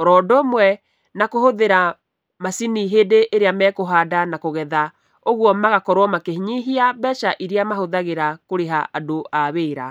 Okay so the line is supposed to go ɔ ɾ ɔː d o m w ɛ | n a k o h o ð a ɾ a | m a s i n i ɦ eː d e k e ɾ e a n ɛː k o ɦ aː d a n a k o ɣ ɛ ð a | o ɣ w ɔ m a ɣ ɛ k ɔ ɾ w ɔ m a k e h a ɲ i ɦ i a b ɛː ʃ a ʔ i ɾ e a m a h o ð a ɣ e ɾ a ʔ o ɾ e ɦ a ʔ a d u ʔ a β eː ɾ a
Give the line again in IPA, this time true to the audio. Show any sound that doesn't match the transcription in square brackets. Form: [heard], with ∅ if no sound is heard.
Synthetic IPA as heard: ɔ ɾ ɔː d o m w ɛ | n a k o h o ð [e] ɾ a | m a s i n i ɦ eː d e [ʔ] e ɾ e a [m] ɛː k o ɦ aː d a n a k o ɣ ɛ ð a | o ɣ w ɔ m a ɣ [a] k ɔ ɾ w ɔ m a k e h [i] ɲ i ɦ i a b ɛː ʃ a ʔ i ɾ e a m a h o ð a ɣ e ɾ a [k] o ɾ e ɦ a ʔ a d [o] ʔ a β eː ɾ a